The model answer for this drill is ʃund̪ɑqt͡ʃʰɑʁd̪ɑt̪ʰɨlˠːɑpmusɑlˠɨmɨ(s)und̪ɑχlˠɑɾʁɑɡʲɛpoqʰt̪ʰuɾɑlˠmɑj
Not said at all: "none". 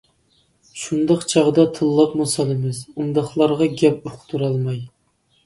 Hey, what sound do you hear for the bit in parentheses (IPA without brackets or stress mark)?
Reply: z